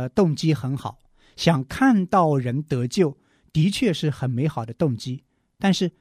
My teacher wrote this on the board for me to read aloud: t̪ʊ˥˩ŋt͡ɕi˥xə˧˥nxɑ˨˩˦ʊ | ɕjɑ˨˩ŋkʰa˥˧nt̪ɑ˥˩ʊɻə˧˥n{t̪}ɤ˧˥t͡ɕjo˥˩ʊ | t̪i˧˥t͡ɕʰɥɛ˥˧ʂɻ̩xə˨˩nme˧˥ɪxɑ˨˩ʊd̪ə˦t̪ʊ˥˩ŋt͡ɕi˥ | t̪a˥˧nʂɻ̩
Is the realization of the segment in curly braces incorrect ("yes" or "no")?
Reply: no